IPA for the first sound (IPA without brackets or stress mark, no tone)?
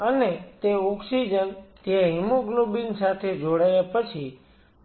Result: ə